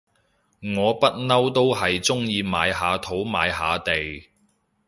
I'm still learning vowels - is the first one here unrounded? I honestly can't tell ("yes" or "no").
no